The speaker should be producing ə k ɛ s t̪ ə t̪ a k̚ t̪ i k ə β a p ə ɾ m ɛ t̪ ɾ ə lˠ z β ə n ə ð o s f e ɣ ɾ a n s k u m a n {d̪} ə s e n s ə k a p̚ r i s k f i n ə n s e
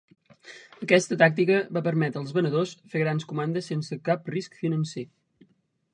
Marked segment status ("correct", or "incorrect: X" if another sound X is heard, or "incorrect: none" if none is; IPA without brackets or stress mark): correct